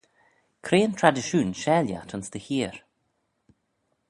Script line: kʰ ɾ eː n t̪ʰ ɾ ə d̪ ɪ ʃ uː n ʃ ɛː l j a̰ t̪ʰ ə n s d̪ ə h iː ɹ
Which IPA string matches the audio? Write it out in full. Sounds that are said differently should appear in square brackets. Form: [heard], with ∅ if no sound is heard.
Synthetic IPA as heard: kʰ ɾ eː n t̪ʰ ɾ [a] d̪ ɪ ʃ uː n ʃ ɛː l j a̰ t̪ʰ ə n s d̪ ə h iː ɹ